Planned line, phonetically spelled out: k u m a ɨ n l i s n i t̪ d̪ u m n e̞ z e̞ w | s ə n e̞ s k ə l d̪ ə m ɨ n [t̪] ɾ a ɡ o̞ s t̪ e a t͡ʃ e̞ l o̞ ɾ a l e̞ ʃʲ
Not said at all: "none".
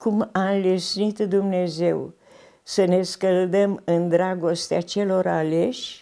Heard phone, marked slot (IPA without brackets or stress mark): d̪